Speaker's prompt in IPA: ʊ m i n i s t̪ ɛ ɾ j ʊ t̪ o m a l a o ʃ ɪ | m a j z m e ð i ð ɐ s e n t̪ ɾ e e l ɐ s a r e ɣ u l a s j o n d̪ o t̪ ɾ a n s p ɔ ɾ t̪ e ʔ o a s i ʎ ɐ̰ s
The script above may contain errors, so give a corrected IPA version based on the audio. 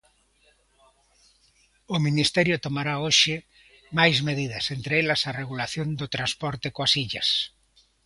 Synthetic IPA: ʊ m i n i s t̪ ɛ ɾ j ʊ t̪ o m a ɾ a o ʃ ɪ | m a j z m e ð i ð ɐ s e n t̪ ɾ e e l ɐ s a r e ɣ u l a θ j o n d̪ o t̪ ɾ a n s p ɔ ɾ t̪ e k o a s i ʎ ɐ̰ s